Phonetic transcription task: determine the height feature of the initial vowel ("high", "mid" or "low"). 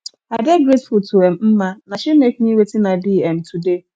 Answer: low